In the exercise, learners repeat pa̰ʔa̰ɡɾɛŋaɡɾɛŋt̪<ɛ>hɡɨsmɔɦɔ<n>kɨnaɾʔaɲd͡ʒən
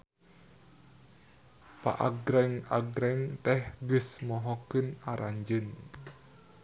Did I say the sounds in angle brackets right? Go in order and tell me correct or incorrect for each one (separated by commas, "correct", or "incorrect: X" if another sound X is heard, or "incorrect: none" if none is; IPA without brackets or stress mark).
correct, incorrect: none